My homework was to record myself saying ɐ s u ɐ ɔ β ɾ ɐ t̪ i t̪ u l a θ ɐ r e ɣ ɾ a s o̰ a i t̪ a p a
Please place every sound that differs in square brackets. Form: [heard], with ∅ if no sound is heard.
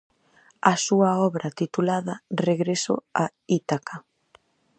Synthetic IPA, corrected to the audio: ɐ s u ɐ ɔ β ɾ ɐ t̪ i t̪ u l a [ð] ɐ r e ɣ ɾ [e] s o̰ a i t̪ a [k] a